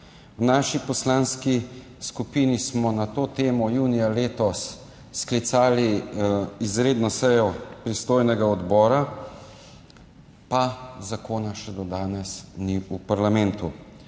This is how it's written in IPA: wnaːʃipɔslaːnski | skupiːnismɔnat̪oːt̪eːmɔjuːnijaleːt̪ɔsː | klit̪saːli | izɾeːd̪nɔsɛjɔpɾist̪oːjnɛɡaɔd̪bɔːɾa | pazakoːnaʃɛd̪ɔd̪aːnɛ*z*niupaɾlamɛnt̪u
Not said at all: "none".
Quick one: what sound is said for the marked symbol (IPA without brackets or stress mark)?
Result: s